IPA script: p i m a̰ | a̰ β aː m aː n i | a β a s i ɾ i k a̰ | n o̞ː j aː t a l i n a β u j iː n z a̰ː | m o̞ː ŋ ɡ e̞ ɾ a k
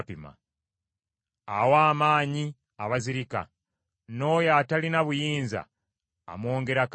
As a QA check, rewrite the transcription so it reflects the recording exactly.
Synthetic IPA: p i m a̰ | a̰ w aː m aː ɲ i | a β a z i ɾ i k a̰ | n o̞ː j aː t a l i n a β u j iː n z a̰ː | m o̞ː ŋ ɡ e̞ ɾ a k